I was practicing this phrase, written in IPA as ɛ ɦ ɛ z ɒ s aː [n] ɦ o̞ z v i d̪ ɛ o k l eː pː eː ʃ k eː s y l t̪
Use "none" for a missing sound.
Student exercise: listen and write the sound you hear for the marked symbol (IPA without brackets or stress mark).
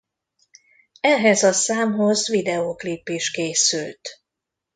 m